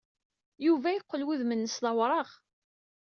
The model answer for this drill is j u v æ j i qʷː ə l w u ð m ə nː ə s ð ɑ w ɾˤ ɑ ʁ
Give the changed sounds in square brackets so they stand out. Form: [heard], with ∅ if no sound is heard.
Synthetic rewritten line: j u v æ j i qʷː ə l w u ð m ə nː ə s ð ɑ w ɾˤ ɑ ʁ